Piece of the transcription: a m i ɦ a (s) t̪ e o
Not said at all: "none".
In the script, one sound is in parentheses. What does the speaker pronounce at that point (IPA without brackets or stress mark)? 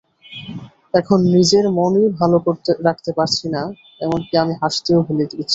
ʃ